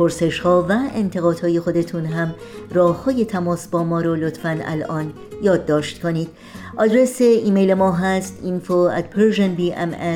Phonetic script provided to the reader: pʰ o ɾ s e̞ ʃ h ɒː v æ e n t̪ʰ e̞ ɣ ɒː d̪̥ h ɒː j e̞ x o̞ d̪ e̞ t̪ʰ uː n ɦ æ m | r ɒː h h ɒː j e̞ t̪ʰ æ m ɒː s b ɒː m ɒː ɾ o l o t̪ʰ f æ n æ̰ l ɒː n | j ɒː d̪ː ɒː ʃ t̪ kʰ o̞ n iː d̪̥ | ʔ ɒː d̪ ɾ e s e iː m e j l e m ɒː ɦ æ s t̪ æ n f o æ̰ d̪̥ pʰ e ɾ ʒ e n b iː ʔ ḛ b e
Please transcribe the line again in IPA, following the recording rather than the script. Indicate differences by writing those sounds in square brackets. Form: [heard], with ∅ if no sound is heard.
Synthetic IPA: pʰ o ɾ s e̞ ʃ h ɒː v æ e n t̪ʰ e̞ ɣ ɒː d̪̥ h ɒː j e̞ x o̞ d̪ e̞ t̪ʰ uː n ɦ æ m | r ɒː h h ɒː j e̞ t̪ʰ æ m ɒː s b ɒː m ɒː ɾ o l o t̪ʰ f æ n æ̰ l ɒː n | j ɒː d̪ː ɒː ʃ t̪ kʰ o̞ n iː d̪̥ | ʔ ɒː d̪ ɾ e s e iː m e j l e m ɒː ɦ æ s t̪ [i] n f o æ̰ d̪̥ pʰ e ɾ ʒ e n b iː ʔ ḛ [m] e